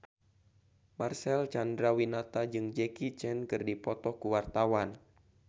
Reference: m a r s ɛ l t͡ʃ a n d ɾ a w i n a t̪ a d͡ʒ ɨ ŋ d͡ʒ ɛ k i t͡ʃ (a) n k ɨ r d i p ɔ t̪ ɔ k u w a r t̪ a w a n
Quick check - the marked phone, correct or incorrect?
incorrect